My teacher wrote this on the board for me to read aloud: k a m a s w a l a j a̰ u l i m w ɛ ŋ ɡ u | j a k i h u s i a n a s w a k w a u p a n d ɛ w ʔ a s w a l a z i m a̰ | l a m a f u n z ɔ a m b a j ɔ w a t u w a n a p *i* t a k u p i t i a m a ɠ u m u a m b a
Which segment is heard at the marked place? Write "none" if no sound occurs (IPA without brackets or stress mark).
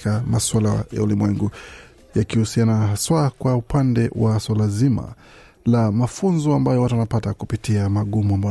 a